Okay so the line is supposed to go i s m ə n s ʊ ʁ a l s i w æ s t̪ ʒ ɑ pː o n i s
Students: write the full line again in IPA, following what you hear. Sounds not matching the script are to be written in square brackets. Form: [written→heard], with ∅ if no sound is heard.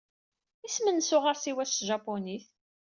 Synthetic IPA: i s m ə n s ʊ ʁ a [l→ɾ] s i w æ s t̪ ʒ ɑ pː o n i [s→θ]